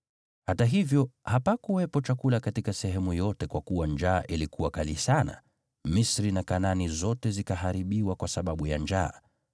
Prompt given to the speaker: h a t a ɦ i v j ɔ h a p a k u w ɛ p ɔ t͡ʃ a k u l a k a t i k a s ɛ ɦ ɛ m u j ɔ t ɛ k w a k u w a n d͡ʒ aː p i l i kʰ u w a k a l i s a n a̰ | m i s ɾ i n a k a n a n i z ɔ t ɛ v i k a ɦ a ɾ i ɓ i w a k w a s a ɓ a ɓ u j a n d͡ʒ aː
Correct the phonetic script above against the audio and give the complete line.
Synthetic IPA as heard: h a t a ɦ i v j ɔ h a p a k u w ɛ p ɔ t͡ʃ a k u l a k a t i k a s ɛ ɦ ɛ m u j ɔ t ɛ k w a k u w a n d͡ʒ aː ʔ i l i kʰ u w a k a l i s a n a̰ | m i s ɾ i n a k a n a n i z ɔ t ɛ z i k a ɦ a ɾ i ɓ i w a k w a s a ɓ a ɓ u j a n d͡ʒ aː

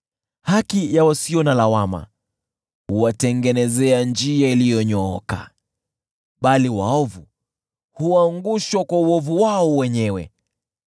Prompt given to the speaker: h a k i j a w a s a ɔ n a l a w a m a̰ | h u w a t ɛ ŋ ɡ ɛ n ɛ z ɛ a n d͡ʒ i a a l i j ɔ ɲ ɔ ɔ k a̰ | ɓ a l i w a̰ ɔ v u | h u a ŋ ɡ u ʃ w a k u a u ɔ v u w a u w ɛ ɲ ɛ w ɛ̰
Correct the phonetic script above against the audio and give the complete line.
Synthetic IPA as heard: h a k i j a w a s i ɔ n a l a w a m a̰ | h u w a t ɛ ŋ ɡ ɛ n ɛ z ɛ a n d͡ʒ i a i l i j ɔ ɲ ɔ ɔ k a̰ | ɓ a l i w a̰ ɔ v u | h u a ŋ ɡ u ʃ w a k w a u ɔ v u w a ɔ w ɛ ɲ ɛ w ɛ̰

